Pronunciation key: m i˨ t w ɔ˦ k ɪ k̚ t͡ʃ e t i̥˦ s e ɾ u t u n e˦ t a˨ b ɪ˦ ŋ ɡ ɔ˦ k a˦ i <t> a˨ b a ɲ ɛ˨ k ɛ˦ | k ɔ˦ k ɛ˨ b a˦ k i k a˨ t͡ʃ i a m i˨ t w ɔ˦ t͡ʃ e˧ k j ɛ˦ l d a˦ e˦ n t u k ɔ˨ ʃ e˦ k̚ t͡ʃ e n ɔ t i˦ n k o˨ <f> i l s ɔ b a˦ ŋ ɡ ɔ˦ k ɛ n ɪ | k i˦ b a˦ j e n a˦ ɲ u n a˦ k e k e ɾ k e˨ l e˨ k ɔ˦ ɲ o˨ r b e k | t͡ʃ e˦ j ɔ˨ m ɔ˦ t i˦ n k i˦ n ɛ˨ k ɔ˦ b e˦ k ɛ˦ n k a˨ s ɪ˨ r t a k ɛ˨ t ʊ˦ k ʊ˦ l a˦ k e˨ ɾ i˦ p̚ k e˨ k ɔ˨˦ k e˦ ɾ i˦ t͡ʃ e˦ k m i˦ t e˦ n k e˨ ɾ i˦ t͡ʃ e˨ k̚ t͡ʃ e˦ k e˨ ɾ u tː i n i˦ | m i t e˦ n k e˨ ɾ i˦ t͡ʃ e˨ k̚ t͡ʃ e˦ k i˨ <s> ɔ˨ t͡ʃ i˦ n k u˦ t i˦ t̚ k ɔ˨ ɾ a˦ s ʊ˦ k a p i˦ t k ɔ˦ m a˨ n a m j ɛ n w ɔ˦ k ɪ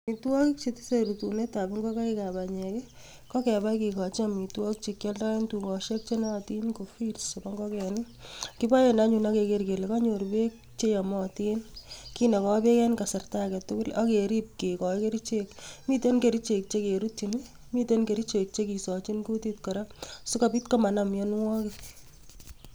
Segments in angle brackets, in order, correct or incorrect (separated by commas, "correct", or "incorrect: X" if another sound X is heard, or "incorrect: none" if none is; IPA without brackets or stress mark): incorrect: k, correct, correct